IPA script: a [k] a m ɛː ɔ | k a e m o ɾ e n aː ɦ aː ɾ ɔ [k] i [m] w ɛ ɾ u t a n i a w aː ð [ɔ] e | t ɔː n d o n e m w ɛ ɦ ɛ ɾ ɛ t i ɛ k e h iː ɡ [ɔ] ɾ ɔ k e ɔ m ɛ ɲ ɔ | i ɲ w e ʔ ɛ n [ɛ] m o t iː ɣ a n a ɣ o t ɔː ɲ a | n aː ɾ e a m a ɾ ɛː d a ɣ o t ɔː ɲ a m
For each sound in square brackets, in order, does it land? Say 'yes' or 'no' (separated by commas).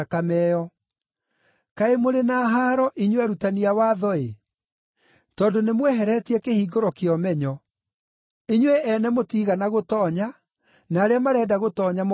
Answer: yes, no, no, yes, no, yes